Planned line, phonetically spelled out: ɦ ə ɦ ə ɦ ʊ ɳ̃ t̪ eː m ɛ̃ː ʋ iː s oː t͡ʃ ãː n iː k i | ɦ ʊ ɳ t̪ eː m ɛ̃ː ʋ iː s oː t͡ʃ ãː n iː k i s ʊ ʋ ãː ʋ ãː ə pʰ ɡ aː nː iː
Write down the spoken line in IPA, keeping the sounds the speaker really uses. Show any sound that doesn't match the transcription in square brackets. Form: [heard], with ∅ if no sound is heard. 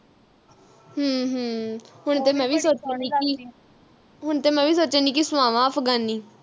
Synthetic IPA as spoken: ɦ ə ɦ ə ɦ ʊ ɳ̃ t̪ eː m ɛ̃ː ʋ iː s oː t͡ʃ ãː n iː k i | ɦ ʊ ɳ t̪ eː m ɛ̃ː ʋ iː s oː t͡ʃ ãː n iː k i s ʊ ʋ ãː ʋ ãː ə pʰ ɡ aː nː iː

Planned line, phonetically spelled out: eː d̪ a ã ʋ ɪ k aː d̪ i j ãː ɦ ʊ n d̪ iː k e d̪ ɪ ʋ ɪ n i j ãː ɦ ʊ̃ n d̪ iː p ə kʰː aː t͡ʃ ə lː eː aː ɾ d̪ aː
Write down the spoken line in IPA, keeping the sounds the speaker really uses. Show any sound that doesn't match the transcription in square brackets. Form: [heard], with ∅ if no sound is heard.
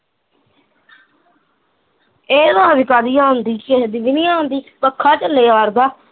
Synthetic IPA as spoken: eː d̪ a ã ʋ ɪ k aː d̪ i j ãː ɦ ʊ n d̪ iː k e d̪ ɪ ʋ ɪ n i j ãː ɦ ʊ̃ n d̪ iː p ə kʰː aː t͡ʃ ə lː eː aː ɾ d̪ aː

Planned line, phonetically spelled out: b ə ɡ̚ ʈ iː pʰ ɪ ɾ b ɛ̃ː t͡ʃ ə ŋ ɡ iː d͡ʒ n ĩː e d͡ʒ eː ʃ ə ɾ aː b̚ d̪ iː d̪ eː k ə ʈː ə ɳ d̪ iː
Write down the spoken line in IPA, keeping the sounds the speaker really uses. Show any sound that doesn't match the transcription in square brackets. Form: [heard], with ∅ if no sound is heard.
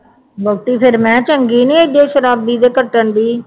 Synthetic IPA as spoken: b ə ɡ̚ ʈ iː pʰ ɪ ɾ [m] ɛ̃ː t͡ʃ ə ŋ ɡ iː [∅] n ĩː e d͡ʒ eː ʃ ə ɾ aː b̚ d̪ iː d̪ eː k ə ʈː ə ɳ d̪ iː

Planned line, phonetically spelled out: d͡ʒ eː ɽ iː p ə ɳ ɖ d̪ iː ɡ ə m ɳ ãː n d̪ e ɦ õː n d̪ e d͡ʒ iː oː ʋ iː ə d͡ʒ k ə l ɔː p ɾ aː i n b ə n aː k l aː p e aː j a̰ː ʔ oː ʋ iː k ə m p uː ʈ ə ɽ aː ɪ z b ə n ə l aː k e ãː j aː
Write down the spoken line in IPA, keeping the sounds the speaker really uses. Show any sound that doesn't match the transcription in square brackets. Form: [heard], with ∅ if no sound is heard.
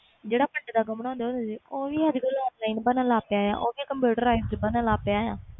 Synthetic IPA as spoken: d͡ʒ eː ɽ [aː] p ə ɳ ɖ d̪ [aː] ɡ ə m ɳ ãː n d̪ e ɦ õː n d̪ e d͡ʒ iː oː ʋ iː ə d͡ʒ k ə l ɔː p [l] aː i n b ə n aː [∅] l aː p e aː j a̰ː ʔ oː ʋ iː k ə m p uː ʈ ə [ɾ] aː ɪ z b ə n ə l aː [p] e [aː] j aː

